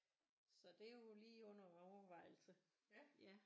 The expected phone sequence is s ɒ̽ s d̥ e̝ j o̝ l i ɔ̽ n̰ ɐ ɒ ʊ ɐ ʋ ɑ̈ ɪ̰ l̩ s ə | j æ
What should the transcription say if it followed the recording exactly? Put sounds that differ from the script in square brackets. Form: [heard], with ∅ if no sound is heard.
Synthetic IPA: s ɒ̽ [∅] d̥ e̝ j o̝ l [iː] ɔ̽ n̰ ɐ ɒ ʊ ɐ ʋ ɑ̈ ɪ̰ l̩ s ə | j æ